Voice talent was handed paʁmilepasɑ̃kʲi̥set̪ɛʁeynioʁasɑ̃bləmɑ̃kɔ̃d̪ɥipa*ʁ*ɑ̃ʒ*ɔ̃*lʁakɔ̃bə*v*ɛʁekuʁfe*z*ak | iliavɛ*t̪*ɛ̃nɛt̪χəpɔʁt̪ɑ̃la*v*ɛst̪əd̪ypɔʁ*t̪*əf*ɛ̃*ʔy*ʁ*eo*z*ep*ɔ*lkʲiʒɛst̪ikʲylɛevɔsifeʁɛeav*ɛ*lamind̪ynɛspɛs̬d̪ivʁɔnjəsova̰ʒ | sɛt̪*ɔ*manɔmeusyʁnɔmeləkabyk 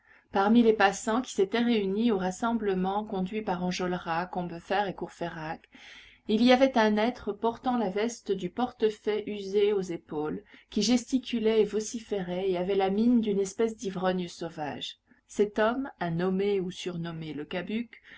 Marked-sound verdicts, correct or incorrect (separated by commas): correct, incorrect, incorrect, incorrect, correct, correct, correct, incorrect, incorrect, correct, incorrect, correct, correct